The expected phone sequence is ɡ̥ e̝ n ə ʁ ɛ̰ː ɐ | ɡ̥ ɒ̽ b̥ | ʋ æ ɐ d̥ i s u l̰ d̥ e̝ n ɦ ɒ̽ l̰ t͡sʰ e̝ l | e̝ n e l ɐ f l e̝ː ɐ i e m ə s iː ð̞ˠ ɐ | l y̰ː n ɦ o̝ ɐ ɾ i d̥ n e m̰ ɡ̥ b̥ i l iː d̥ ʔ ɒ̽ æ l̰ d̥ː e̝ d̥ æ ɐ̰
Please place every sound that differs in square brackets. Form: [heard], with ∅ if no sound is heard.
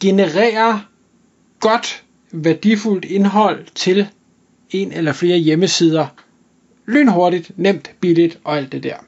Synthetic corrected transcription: ɡ̥ e̝ n ə ʁ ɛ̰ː ɐ | ɡ̥ ɒ̽ [d̥] | ʋ æ ɐ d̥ i [f] u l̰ d̥ e̝ n ɦ ɒ̽ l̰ t͡sʰ e̝ l | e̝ n e l ɐ f l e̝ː ɐ [j] e m ə s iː ð̞ˠ ɐ | l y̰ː n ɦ o̝ ɐ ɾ i d̥ n e m̰ [d̥] b̥ i l [i] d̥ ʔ ɒ̽ æ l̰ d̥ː e̝ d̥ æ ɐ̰